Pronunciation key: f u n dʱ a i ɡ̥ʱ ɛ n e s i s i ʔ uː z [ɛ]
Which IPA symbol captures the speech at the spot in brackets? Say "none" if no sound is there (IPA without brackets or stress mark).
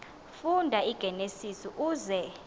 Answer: ɛ